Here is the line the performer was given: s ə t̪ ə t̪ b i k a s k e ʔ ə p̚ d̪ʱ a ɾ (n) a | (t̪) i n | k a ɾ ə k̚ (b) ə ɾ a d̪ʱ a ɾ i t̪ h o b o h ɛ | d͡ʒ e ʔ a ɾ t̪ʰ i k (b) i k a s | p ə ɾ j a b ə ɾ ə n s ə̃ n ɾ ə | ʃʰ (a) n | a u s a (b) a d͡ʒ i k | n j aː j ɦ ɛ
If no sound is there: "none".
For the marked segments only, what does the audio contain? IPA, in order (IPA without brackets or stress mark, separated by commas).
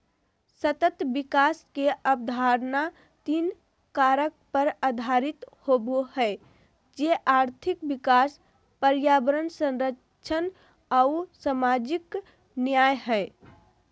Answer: n, t̪, p, b, ə, m